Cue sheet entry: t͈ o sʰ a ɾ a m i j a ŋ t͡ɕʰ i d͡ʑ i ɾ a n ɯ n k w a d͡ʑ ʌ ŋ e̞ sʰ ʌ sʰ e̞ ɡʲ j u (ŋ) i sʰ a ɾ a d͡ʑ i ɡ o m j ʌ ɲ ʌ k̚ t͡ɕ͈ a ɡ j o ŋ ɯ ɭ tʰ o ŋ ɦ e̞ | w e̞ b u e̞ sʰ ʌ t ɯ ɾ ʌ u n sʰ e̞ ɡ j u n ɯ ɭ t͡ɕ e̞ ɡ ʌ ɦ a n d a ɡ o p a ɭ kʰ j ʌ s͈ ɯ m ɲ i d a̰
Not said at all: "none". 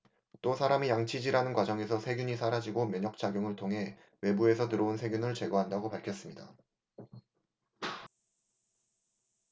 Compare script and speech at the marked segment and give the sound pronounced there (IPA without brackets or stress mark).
ɲ